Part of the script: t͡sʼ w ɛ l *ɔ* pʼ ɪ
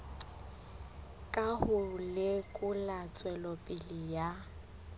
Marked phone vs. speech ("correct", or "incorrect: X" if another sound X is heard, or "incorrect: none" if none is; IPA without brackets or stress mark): correct